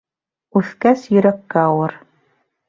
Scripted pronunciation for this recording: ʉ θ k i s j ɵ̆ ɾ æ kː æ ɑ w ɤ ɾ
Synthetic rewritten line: ʉ θ k æ s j ɵ̆ ɾ æ kː æ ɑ w ɤ ɾ

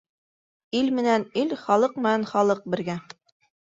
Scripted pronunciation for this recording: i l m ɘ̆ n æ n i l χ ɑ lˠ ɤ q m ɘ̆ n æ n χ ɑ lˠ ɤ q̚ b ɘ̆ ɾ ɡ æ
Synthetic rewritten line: i l m ɘ̆ n æ n i l χ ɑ lˠ ɤ q m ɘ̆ n æ n χ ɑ lˠ ɤ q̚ b ɘ̆ ɾ ɡ æ

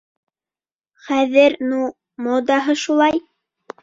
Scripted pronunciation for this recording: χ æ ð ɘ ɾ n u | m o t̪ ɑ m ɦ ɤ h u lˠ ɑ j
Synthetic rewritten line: χ æ ð ɘ ɾ n u | m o d̪ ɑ ɦ ɤ ʃ u lˠ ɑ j

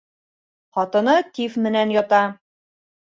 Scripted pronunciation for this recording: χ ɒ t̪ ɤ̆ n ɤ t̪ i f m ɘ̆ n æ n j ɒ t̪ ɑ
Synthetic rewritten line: χ ɒ t̪ ɤ̆ n ɤ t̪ i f m ɘ̆ n æ n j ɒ t̪ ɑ

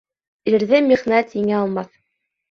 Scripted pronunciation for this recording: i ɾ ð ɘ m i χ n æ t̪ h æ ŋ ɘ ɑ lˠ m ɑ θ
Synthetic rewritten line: i ɾ ð ɘ m i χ n æ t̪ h i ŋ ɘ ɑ lˠ m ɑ θ

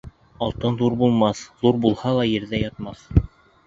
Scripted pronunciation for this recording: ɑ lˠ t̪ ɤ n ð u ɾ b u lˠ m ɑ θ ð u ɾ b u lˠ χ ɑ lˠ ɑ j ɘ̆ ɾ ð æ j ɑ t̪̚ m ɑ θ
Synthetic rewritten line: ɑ lˠ t̪ ɤ n ð u ɾ b u lˠ m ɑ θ ð u ɾ b u lˠ h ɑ lˠ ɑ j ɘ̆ ɾ ð æ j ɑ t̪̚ m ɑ θ

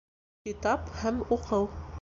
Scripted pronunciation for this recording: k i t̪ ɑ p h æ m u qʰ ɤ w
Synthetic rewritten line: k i t̪ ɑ p h æ m u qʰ ɤ w

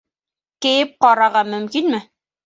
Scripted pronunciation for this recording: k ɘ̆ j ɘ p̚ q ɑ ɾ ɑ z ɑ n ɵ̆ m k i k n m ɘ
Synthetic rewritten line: k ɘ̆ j ɘ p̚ q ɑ ɾ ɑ ʁ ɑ m ɵ̆ m k i n m ɘ

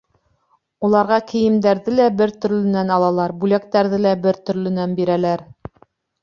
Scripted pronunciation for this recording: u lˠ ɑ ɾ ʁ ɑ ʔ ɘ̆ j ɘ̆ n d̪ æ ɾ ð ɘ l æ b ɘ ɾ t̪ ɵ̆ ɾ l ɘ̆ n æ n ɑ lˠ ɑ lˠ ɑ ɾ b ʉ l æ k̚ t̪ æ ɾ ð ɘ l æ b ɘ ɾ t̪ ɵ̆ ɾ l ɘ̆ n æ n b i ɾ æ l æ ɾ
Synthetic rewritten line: u lˠ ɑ ɾ ʁ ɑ k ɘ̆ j ɘ̆ m d̪ æ ɾ ð ɘ l æ b ɘ ɾ t̪ ɵ̆ ɾ l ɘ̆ n æ n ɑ lˠ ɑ lˠ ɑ ɾ b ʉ l æ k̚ t̪ æ ɾ ð ɘ l æ b ɘ ɾ t̪ ɵ̆ ɾ l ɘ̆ n æ n b i ɾ æ l æ ɾ

